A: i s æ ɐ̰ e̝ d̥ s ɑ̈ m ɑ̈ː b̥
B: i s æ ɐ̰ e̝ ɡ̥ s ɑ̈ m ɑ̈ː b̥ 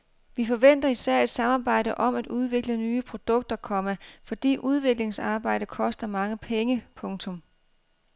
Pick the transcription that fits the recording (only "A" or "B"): A